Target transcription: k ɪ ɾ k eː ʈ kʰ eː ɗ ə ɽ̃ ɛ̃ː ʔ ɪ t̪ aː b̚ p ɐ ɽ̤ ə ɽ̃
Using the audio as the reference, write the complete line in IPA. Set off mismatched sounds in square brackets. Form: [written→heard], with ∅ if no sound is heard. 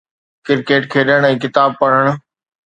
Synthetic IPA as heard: k ɪ ɾ k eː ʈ kʰ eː ɗ ə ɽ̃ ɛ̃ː [ʔ→k] ɪ t̪ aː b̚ p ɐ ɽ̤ ə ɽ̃